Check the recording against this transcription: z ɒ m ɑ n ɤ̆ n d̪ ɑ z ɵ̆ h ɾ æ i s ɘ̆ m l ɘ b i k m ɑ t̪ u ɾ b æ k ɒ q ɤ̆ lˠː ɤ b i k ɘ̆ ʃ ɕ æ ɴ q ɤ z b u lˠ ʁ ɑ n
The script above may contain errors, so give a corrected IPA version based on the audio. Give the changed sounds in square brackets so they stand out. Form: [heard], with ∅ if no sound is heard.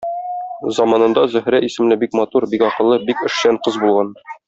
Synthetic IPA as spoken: z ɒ m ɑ n ɤ̆ n d̪ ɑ z ɵ̆ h ɾ æ i s ɘ̆ m l ɘ b i k m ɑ t̪ u ɾ b [i] k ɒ q ɤ̆ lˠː ɤ b i k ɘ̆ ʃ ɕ æ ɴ q ɤ z b u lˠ ʁ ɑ n